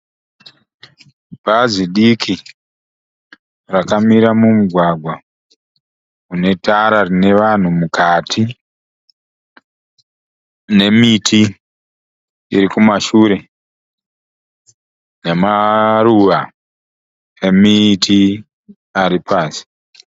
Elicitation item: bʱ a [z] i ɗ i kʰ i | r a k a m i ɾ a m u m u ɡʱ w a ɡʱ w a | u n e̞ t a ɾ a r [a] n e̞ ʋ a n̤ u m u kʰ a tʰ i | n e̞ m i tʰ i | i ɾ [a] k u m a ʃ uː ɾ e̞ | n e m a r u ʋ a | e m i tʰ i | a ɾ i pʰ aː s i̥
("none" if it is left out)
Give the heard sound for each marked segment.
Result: z, i, i

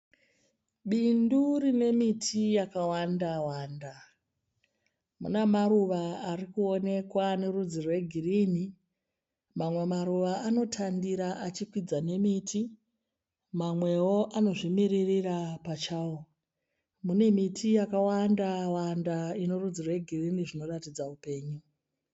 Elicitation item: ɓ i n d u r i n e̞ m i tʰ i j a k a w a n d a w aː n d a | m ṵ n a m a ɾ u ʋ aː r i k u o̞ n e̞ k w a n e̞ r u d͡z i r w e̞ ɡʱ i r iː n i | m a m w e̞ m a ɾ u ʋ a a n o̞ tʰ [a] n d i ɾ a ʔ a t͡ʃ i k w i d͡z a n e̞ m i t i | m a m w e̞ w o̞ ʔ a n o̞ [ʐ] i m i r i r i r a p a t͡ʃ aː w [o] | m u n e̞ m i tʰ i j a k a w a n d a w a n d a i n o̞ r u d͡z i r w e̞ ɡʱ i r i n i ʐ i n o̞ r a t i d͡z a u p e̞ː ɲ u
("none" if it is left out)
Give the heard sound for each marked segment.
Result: a, ʐ, o

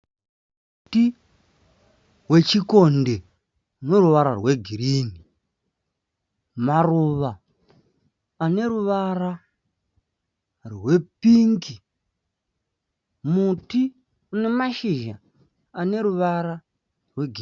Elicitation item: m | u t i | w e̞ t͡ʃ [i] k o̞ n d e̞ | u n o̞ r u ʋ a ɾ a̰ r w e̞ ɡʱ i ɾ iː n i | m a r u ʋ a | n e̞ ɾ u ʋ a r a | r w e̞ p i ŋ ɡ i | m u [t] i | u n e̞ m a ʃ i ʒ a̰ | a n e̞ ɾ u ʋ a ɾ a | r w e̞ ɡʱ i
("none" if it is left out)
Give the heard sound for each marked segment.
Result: i, t

